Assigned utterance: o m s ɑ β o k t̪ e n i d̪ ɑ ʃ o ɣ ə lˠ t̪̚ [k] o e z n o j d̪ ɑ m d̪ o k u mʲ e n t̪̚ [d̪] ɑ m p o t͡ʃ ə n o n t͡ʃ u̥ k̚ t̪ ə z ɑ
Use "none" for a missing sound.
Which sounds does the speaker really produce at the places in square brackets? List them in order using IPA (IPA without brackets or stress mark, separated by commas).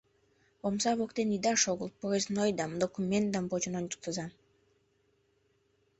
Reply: p, d̪